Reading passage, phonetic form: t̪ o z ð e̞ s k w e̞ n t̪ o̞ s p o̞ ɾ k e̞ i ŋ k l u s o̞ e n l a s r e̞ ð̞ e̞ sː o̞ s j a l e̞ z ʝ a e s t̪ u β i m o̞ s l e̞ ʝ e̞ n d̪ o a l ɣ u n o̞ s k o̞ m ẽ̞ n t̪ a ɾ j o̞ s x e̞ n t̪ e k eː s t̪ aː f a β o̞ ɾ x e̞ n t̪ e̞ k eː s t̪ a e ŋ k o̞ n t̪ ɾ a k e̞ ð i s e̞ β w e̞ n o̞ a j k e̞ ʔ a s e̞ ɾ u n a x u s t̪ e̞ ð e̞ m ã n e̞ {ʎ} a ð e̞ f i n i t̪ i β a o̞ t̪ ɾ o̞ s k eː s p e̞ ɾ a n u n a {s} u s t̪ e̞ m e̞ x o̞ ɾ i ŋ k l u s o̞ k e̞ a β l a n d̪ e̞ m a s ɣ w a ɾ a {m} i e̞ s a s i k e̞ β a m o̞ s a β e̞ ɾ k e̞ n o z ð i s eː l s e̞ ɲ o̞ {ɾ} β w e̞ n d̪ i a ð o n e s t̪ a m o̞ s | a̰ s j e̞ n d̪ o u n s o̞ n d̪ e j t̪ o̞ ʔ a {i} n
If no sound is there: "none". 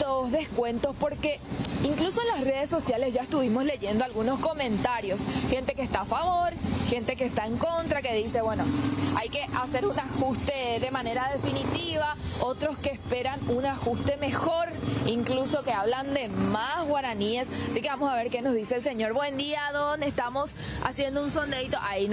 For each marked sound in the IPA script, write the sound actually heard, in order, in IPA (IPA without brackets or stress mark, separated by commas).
ɾ, x, n, ɾ, i